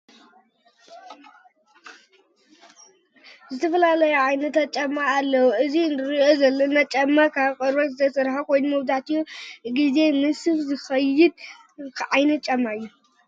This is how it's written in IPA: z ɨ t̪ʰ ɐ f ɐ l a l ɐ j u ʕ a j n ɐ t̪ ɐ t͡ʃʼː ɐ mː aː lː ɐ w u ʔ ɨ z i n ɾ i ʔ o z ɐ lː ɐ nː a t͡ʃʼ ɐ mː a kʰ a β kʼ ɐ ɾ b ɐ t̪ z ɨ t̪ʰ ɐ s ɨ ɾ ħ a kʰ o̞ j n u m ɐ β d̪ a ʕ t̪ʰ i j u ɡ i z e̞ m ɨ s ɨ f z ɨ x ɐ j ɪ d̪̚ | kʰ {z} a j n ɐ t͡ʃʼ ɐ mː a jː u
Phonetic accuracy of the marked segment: incorrect: ʕ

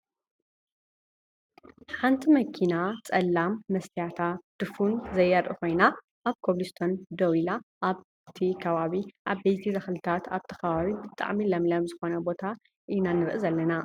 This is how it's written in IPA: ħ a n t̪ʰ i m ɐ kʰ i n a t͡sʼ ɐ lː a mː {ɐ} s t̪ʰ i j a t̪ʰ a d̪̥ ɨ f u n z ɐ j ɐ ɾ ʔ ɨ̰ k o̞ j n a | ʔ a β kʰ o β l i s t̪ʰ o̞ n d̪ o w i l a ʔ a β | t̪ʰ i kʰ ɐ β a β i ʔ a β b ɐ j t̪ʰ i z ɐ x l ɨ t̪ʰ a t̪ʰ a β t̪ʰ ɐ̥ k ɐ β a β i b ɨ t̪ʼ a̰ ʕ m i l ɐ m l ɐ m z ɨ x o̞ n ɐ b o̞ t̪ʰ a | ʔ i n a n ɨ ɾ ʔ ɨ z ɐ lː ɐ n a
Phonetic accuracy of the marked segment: correct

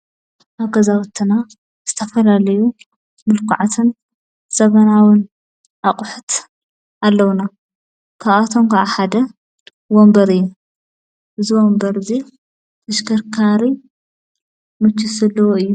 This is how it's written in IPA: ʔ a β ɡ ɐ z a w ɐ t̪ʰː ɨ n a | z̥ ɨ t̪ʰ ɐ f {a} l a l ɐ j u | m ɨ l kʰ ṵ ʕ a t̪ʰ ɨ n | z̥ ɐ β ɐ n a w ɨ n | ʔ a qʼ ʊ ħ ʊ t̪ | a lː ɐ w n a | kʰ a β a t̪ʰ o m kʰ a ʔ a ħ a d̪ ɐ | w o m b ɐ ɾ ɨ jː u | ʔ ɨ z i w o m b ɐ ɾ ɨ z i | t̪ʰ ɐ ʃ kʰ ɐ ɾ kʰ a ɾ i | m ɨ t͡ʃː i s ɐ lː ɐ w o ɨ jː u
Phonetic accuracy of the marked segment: incorrect: ɐ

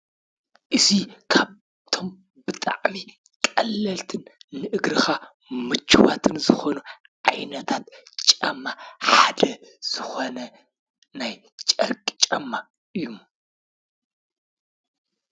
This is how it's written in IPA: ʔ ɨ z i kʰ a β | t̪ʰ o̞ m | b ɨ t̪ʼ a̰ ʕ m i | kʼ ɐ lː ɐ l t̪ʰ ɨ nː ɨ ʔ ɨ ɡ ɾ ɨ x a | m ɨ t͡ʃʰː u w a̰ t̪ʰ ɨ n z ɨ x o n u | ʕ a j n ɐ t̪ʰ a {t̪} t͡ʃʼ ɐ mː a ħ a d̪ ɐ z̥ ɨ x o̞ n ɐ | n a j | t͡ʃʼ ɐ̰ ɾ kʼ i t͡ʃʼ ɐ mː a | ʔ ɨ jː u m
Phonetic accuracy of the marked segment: correct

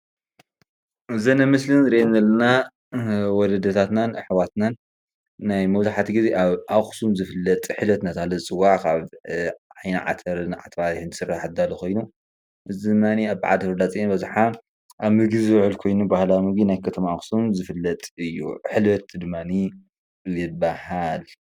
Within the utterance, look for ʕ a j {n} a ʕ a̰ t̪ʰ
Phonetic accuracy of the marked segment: correct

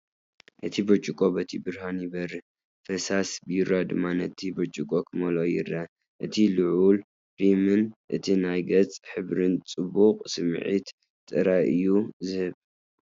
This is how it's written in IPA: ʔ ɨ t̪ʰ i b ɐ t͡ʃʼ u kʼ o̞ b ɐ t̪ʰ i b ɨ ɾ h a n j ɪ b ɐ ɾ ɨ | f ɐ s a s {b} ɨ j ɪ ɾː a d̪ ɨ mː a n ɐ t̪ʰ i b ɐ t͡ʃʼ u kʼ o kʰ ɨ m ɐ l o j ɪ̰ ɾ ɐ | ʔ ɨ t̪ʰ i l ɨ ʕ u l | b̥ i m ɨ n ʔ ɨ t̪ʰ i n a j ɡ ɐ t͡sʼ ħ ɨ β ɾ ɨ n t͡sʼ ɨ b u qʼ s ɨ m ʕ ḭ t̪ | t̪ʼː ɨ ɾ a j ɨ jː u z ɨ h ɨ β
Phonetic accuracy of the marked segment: correct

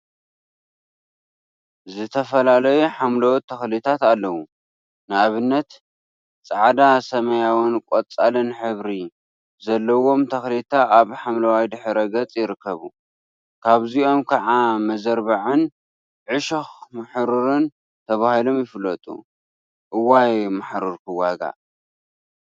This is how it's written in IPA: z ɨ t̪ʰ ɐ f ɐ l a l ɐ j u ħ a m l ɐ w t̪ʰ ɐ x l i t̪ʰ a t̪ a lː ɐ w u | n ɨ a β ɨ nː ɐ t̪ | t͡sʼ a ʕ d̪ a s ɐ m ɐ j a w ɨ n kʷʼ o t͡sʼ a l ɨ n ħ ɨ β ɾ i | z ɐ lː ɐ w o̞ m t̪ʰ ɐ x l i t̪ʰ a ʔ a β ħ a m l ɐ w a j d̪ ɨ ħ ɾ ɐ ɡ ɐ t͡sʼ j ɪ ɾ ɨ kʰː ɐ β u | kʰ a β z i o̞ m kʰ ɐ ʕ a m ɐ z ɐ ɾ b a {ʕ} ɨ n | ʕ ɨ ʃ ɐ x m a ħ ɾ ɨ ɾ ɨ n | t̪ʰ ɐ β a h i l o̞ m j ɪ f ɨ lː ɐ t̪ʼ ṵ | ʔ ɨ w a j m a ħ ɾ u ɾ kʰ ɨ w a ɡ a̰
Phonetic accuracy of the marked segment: correct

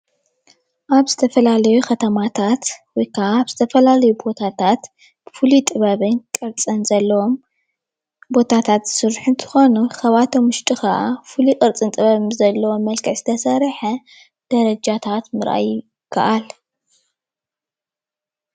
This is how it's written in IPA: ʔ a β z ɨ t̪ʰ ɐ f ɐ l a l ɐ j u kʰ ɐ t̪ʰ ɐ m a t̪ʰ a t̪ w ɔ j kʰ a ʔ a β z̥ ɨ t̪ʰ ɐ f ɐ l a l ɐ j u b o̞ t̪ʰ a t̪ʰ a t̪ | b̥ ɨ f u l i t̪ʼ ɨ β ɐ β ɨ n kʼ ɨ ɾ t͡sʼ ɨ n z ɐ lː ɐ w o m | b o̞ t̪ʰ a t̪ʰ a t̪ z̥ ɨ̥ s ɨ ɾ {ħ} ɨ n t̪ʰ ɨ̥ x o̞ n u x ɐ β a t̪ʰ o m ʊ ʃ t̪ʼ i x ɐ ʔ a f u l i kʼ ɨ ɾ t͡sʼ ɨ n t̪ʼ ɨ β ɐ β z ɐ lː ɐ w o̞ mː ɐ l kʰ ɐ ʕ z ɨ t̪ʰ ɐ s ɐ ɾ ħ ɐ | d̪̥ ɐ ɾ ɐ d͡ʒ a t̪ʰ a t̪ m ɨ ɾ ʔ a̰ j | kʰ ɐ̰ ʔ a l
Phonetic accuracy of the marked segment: correct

